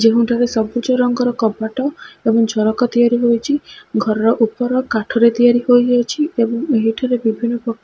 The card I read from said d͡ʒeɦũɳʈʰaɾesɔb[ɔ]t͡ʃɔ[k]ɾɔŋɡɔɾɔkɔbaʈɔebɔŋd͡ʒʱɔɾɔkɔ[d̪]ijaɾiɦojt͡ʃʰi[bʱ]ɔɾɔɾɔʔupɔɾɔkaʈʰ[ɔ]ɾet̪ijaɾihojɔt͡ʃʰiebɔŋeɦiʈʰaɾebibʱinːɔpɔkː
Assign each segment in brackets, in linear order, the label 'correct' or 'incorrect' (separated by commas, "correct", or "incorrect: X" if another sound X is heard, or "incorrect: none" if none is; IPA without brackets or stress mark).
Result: incorrect: u, incorrect: none, incorrect: t̪, incorrect: ɡʱ, correct